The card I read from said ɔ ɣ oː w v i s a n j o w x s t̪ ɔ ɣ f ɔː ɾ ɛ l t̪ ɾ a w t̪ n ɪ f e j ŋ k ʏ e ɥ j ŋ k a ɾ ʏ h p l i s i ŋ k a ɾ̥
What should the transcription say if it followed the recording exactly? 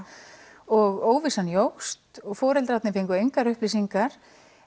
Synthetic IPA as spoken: ɔ ɣ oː w v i s a n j o w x s t̪ ɔ ɣ f ɔː ɾ ɛ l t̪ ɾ a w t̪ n ɪ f e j ŋ k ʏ e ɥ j ŋ k a ɾ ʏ h p l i s i ŋ k a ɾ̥